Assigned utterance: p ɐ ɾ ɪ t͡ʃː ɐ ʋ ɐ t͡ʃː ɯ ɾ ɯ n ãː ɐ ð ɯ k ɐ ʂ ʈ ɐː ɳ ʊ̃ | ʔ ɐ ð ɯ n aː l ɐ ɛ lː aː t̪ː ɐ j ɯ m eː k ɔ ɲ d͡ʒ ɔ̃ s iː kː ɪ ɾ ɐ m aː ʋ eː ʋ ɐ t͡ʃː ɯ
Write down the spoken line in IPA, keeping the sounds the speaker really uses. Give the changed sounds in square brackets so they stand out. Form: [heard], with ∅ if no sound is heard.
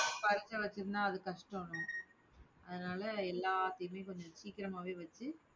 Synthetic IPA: p ɐ ɾ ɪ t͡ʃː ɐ ʋ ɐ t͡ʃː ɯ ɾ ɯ n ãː ɐ ð ɯ k ɐ ʂ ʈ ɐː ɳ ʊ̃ | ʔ ɐ ð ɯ n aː l ɐ ɛ lː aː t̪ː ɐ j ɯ m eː k ɔ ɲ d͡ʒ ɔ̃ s iː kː ɪ ɾ ɐ m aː ʋ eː ʋ ɐ t͡ʃː ɯ